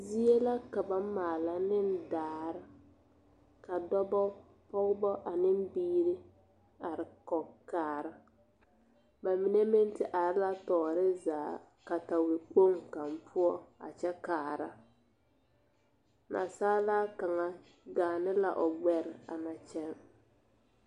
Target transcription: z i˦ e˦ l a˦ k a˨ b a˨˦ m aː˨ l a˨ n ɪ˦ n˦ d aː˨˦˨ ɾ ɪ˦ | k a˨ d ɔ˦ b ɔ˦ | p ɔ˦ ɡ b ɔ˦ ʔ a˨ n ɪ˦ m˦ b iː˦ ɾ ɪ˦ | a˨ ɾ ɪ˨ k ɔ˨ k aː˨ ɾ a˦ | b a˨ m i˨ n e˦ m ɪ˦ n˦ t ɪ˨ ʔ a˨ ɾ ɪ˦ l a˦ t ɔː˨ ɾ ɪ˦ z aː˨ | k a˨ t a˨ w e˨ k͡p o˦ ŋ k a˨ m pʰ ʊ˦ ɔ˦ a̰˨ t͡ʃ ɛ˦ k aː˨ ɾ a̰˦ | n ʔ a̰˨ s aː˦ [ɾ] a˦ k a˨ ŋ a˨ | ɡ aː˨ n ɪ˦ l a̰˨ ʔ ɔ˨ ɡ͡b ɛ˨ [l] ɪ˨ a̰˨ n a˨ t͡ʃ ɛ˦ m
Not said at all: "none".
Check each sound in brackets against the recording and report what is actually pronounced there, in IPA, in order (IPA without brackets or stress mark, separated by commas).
l, ɾ